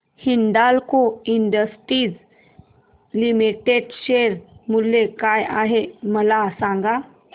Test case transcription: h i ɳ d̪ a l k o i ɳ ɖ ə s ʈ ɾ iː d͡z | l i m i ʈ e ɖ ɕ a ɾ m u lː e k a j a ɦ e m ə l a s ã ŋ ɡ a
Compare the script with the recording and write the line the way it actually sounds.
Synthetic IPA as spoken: h i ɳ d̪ a l k o i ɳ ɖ ə s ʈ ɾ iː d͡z | l i m i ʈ e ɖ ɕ e ɾ m u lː e k a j a ɦ e m ə l a s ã ŋ ɡ a